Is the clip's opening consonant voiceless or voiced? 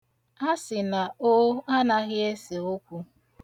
voiceless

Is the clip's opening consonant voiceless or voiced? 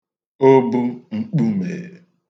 voiced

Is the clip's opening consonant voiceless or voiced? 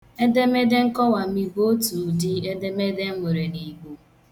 voiced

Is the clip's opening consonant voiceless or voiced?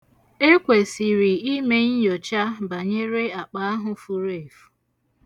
voiceless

